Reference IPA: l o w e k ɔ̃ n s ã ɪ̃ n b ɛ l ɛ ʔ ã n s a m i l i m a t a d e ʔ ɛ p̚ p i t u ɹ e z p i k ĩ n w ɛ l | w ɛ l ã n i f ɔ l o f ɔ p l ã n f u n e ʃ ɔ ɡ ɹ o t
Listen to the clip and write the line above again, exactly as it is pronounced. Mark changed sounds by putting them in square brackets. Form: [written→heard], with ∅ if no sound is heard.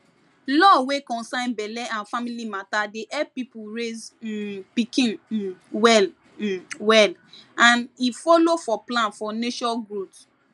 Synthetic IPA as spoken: l [o→ɔ] w e k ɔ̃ n s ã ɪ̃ n b ɛ l ɛ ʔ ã n [s→f] a m i l i m a t a d e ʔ ɛ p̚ p i [t→p] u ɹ e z p i k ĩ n w ɛ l | w ɛ l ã n i f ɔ l o f ɔ p l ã n f [u→ɔ] n e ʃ ɔ ɡ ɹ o t